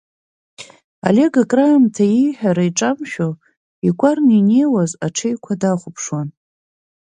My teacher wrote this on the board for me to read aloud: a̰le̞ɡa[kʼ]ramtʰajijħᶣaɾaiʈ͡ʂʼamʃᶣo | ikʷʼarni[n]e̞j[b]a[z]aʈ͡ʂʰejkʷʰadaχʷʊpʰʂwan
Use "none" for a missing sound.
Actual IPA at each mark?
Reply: kʼ, n, w, z

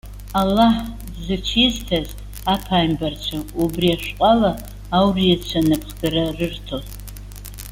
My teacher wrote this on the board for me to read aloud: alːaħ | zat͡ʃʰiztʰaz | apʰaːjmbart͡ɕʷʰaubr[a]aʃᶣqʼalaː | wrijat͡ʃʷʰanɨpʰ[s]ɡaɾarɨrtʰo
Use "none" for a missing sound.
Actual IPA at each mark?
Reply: i, χ

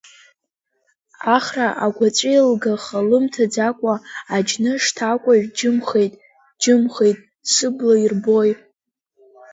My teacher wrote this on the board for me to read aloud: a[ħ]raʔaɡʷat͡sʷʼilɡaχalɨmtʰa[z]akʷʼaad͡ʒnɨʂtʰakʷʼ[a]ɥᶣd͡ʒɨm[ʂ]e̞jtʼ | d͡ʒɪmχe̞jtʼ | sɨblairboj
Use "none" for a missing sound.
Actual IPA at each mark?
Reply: χ, d͡z, a, χ

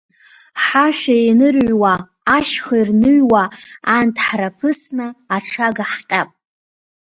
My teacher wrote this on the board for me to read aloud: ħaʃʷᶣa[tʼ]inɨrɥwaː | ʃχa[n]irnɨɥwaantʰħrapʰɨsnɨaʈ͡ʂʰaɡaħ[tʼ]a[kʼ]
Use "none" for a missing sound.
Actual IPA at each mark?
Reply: none, none, tʼ, pʼ

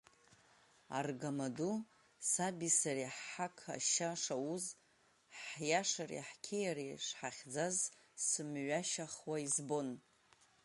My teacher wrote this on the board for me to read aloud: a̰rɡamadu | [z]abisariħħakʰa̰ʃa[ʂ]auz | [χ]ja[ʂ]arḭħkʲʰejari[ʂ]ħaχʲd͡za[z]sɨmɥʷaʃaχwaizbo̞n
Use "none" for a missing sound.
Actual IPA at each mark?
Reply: s, ʂ, ħ, ʂ, ʂ, z

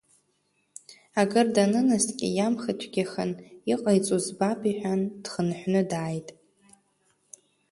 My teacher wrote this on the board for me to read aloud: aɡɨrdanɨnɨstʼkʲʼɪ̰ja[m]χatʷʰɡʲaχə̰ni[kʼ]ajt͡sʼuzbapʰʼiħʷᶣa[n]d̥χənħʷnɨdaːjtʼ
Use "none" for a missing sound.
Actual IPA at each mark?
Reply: m, qʼ, n

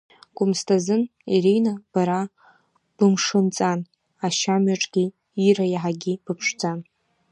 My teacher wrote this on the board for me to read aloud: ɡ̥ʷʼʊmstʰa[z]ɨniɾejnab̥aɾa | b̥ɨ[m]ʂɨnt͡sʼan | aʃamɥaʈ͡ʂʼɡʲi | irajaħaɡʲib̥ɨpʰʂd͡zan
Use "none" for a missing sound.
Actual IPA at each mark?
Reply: z, m

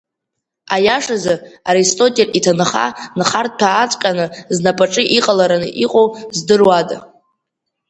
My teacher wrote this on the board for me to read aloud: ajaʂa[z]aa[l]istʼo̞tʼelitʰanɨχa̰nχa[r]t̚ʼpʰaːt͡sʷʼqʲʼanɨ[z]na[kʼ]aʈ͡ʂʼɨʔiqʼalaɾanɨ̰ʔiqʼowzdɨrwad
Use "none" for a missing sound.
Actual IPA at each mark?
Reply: z, ɾ, r, z, pʼ

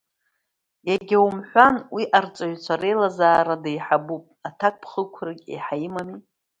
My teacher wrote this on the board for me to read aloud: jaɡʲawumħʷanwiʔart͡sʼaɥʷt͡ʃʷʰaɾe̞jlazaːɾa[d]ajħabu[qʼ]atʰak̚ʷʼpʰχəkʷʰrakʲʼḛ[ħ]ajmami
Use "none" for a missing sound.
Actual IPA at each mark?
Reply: d, pʼ, ħ

